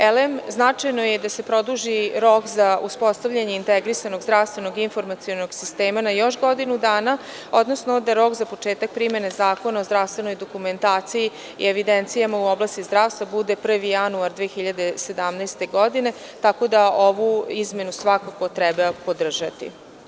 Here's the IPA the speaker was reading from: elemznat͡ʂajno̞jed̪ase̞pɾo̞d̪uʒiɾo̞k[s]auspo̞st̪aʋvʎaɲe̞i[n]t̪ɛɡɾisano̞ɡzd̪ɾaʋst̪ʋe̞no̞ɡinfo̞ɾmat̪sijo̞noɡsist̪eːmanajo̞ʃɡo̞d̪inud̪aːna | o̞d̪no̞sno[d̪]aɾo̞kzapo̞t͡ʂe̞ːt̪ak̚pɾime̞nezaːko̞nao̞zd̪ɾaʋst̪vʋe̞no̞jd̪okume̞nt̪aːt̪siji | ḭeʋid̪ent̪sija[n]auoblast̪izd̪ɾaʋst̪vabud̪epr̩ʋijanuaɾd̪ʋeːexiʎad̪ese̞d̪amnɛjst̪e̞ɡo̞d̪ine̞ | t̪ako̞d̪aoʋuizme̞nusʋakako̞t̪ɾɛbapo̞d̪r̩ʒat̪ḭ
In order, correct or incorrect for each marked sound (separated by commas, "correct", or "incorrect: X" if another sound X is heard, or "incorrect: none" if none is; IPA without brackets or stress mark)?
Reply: incorrect: z, correct, correct, incorrect: m